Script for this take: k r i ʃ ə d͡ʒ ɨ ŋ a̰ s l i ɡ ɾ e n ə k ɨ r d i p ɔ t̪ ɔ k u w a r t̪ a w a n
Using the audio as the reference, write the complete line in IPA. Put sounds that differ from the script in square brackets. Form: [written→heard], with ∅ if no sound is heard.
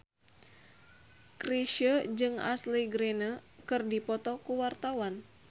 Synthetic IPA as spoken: k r i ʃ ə d͡ʒ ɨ ŋ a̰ s l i ɡ ɾ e n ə k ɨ r d i p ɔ t̪ ɔ k u w a r t̪ a w a n